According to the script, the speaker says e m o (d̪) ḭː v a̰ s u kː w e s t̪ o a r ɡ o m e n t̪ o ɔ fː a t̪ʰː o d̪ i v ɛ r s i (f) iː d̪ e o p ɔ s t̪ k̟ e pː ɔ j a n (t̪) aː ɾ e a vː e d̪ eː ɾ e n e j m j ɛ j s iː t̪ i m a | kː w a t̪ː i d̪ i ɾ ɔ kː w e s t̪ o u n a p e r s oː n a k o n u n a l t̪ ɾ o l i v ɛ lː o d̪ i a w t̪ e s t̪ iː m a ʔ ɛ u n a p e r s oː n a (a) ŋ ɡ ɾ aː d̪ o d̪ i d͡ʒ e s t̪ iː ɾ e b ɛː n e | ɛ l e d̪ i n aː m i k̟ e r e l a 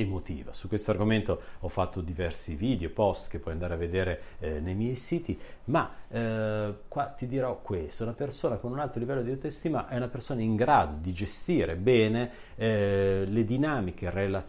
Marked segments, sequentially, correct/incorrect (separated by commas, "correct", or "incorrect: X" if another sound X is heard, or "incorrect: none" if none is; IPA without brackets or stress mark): incorrect: t̪, incorrect: v, incorrect: d̪, incorrect: i